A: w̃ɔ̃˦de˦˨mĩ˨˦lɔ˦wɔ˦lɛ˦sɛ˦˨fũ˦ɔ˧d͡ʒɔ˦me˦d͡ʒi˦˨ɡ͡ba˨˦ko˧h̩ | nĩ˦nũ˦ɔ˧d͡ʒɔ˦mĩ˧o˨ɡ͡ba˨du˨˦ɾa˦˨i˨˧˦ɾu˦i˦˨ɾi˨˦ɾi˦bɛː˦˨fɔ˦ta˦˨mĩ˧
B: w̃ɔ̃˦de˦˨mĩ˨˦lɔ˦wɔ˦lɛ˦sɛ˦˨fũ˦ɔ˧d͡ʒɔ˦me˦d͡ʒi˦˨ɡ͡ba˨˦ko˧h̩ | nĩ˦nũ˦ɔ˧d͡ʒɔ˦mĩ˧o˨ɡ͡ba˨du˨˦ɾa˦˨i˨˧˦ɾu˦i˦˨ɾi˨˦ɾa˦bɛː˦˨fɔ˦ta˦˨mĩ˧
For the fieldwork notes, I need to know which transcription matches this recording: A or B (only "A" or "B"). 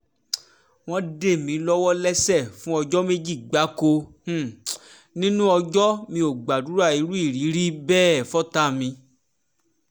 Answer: A